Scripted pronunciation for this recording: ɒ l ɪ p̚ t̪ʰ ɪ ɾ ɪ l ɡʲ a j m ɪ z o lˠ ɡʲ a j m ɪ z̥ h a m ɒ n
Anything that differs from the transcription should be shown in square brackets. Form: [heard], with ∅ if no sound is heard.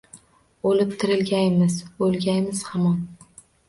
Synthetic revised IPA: [o] l ɪ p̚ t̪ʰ ɪ ɾ ɪ l ɡʲ a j m ɪ z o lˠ ɡʲ a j m ɪ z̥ h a m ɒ n